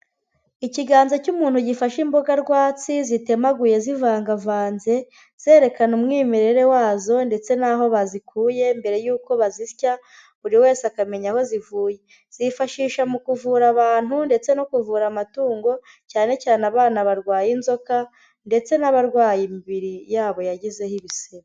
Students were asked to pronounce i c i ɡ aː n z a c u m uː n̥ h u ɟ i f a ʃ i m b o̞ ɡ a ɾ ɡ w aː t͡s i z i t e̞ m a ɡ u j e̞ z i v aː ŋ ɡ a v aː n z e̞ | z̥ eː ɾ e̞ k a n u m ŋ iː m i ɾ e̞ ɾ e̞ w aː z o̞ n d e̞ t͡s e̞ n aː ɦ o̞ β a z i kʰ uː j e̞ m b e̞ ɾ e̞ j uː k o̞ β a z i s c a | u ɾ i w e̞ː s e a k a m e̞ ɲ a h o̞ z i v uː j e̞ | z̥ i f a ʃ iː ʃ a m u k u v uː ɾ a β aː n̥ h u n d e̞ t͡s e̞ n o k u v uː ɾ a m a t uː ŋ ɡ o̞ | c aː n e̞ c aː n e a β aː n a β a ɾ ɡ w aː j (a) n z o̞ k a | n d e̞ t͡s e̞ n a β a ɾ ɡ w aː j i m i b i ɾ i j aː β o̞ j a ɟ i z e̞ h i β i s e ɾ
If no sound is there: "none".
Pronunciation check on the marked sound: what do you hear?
i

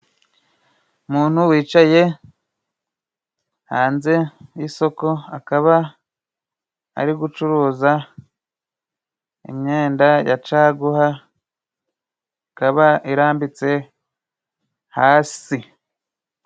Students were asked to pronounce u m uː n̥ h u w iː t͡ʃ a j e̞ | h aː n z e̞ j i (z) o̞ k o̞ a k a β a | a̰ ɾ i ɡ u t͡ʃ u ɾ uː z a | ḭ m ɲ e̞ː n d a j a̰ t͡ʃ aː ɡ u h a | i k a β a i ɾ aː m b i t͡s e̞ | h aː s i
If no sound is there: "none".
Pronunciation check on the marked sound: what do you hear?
s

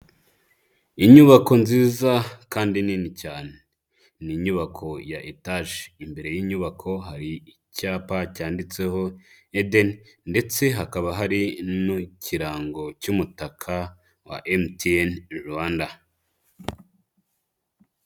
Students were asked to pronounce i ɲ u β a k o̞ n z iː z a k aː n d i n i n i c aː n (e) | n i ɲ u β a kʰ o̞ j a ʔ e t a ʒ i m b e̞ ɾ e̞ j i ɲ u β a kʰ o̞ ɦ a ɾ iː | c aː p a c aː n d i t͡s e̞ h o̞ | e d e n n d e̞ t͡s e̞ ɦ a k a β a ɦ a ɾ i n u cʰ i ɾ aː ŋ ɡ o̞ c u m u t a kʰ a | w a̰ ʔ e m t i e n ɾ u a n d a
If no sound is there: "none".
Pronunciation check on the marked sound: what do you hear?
e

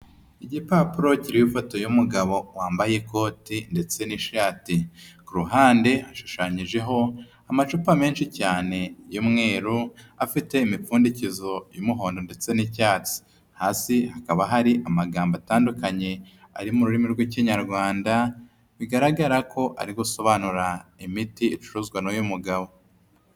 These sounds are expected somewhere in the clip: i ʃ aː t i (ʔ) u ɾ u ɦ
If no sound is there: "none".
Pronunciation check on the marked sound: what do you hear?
k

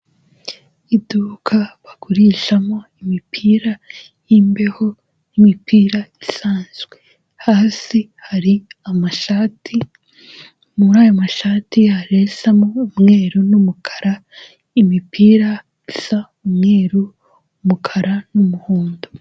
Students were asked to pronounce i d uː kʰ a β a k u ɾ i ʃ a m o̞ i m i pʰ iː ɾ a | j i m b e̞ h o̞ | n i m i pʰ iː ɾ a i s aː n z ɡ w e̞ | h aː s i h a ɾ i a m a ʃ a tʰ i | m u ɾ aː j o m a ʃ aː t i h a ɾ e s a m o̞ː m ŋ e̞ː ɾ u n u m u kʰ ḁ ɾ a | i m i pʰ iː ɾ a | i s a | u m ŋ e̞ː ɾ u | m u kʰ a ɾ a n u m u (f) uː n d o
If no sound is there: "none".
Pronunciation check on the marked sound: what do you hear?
h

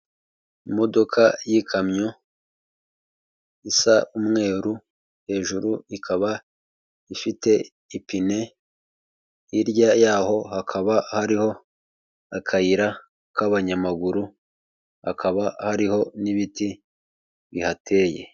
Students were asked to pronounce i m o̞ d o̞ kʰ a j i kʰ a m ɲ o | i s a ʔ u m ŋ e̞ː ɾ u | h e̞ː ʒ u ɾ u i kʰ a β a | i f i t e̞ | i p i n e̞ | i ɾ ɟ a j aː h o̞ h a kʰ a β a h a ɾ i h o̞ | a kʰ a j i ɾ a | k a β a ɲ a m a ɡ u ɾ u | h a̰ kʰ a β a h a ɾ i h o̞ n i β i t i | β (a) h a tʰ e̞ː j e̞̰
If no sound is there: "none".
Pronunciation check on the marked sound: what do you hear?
i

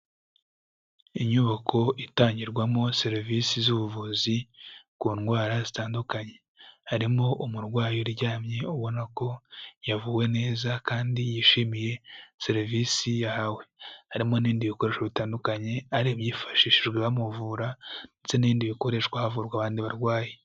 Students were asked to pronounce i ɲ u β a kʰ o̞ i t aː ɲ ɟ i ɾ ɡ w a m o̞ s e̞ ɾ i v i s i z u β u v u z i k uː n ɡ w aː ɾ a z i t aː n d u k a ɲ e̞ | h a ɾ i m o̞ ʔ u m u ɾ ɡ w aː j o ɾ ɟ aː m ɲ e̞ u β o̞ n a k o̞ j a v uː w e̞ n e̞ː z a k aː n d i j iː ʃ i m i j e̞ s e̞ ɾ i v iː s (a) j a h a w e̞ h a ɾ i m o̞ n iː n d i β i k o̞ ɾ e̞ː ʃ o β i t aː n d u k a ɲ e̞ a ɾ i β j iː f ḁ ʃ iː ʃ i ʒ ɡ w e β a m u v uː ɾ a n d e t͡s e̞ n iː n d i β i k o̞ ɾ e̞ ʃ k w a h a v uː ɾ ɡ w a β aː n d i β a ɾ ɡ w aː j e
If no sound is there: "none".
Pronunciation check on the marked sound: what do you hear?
i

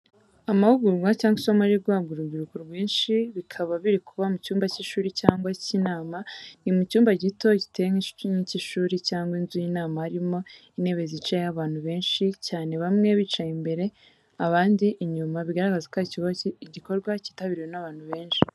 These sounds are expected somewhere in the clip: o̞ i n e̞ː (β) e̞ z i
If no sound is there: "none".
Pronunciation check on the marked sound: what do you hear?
β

